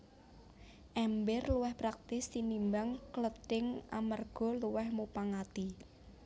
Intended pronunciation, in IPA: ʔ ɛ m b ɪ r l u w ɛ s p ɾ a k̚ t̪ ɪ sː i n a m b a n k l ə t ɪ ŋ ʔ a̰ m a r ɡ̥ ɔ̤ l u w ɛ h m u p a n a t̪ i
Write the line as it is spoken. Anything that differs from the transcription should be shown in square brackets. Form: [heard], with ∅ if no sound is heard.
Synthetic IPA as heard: ʔ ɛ m b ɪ r l u w ɛ [h] p ɾ a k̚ t̪ ɪ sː i n [i] m b a [ŋ] k l ə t ɪ ŋ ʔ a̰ m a r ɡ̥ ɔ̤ l u w ɛ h m u p a [ŋ] a t̪ i